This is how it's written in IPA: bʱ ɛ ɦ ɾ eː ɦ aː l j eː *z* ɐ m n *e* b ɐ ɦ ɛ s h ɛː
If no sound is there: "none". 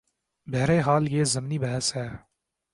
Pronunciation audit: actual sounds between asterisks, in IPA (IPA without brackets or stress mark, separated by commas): z, i